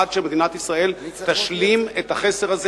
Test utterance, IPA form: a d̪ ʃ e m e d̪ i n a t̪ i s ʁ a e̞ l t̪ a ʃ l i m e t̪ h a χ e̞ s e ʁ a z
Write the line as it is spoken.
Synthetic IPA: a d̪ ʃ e m e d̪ i n a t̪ i s ʁ a e̞ l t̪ a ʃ l i m e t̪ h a χ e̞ s e ʁ a z